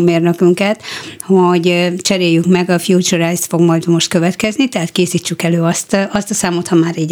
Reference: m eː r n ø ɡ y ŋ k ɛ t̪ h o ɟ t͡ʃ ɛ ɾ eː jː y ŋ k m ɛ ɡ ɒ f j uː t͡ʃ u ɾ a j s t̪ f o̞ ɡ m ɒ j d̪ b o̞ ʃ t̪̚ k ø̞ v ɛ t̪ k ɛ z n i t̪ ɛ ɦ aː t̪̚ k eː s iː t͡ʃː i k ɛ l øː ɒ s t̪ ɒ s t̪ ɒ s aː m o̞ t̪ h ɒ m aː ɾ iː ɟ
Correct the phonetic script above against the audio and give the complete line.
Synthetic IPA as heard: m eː r n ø k y ŋ k ɛ t̪ h o ɟ t͡ʃ ɛ ɾ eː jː y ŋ k m ɛ ɡ ɒ f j uː t͡ʃ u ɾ a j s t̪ f o̞ ɡ m ɒ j d̪ m o̞ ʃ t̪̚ k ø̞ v ɛ t̪ k ɛ z n i t̪ ɛ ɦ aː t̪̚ k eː s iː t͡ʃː y k ɛ l øː ɒ s t̪ ɒ s t̪ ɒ s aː m o̞ t̪ h ɒ m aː ɾ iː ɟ